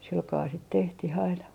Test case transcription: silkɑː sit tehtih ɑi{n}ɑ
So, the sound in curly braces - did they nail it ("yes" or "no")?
yes